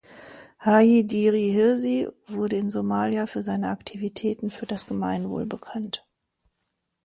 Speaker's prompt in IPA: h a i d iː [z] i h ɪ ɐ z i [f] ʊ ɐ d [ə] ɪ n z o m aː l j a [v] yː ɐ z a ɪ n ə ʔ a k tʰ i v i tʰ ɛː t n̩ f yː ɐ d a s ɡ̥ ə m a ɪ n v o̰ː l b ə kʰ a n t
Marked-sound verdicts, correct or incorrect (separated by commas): incorrect, incorrect, correct, incorrect